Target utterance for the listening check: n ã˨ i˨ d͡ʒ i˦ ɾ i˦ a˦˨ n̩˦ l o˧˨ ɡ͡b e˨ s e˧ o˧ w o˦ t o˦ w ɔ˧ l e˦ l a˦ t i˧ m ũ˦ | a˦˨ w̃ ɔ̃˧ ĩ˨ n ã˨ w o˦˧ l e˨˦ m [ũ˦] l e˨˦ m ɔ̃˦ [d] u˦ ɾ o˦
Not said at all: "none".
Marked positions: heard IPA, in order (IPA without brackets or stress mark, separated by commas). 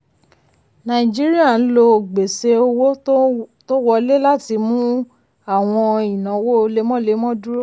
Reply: ɔ̃˦, d